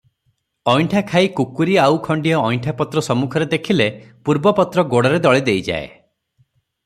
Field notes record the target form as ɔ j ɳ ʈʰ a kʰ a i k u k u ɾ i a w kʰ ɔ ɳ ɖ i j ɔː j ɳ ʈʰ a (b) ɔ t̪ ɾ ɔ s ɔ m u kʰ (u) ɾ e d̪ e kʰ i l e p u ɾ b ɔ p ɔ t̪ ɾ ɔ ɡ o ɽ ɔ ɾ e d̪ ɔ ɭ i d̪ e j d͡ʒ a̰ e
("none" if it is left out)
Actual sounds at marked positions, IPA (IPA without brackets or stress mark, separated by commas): p, ɔ